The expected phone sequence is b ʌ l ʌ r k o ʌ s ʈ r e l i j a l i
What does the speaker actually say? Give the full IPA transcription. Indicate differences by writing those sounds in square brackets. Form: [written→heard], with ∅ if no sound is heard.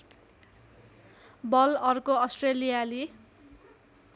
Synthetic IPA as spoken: b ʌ l ʌ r k o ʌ s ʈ r e l i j a l i